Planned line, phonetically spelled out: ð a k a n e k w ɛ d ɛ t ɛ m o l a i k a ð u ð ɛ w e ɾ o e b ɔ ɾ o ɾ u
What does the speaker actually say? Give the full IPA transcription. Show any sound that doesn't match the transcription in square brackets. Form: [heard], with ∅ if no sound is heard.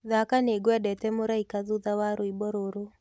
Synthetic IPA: ð a k a n e [ɡ] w ɛ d ɛ t ɛ m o [ɾ] a i k a ð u ð [a] w [a] ɾ o [i] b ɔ ɾ o ɾ [o]